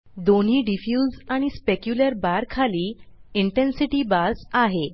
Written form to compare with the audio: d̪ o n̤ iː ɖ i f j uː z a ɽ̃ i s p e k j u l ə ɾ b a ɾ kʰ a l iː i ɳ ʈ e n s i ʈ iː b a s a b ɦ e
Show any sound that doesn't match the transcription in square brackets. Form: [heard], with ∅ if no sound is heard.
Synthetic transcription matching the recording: d̪ o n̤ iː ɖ i f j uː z a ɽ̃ i s p e k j u l ə ɾ b a ɾ kʰ a l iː i ɳ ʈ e n s i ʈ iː b a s a [∅] ɦ e